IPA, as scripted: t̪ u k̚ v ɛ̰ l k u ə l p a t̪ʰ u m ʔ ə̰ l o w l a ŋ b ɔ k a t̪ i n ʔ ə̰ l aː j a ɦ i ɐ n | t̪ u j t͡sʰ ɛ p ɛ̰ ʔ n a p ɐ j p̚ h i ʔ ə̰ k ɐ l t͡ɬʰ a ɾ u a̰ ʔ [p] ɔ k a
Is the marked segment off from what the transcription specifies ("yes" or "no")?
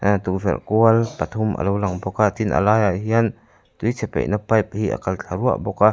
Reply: yes